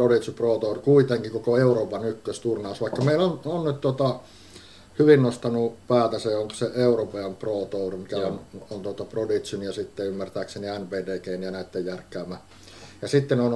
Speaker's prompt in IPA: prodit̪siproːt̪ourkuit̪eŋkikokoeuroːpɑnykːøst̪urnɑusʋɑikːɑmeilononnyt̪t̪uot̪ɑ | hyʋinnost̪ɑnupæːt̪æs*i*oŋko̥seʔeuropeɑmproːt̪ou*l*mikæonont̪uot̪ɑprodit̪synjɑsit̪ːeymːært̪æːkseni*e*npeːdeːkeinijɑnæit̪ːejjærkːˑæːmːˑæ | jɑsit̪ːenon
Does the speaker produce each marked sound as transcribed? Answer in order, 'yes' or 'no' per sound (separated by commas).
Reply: no, no, no